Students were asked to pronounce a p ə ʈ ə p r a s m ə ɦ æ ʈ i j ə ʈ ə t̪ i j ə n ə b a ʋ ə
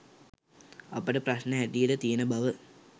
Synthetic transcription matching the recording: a p ə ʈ ə p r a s n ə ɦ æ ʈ i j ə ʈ ə t̪ i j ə n ə b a ʋ ə